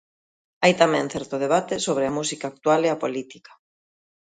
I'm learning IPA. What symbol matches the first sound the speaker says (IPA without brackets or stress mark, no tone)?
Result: a